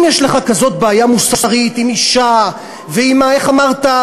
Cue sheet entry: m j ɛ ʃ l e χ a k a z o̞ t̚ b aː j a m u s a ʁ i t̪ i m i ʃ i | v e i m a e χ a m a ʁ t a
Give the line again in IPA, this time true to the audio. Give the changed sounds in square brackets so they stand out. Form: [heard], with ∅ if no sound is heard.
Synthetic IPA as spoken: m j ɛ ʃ l e χ a k a z o̞ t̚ b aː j a m u s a ʁ i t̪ i m i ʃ [a] | v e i m a e χ a m a ʁ t a